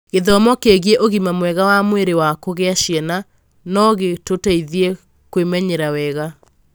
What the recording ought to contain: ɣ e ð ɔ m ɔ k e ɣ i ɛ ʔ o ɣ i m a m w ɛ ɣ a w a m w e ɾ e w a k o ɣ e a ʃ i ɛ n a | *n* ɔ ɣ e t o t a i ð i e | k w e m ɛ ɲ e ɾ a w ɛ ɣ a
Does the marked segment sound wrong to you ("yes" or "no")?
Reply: no